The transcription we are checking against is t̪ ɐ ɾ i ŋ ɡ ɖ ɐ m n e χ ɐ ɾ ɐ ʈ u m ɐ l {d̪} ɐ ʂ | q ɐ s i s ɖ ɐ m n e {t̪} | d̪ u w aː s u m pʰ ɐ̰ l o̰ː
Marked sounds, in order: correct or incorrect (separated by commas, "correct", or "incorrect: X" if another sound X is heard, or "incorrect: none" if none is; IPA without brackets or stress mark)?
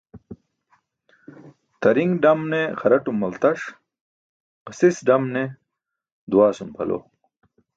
incorrect: t̪, incorrect: none